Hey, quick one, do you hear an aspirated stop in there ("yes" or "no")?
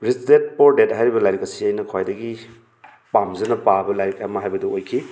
yes